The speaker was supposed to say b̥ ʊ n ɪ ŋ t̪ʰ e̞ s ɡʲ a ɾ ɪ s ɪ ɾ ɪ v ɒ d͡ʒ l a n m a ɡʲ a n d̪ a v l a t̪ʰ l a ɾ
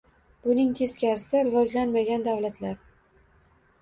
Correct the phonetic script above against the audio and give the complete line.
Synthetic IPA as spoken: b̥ ʊ n ɪ ŋ t̪ʰ e̞ s kʲ a ɾ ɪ s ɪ ɾ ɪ v ɒ d͡ʒ l a n m a ɡʲ a n d̪ a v l a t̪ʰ l a ɾ